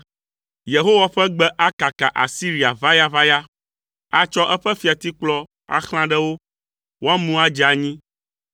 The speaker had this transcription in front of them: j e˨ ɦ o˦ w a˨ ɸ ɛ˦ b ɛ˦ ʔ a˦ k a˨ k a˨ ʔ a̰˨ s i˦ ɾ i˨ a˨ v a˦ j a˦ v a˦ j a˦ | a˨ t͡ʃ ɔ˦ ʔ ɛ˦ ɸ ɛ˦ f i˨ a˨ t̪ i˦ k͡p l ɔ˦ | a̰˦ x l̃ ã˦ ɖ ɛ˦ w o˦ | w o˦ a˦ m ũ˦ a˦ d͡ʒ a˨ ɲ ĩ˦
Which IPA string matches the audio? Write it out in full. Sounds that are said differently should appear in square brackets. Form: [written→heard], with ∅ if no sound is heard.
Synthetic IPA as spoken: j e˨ ɦ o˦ w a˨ ɸ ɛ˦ [b→ɡ͡b] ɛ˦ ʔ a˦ k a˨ k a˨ ʔ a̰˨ s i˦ ɾ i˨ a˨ v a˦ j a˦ v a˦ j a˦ | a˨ t͡ʃ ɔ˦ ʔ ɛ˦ ɸ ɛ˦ f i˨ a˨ t̪ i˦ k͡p l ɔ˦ | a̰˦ x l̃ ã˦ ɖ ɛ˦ w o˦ | w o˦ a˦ m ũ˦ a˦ d͡ʒ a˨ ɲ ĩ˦